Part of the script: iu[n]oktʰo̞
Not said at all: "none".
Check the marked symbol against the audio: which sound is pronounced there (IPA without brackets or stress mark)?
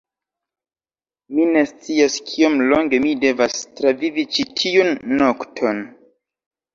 nː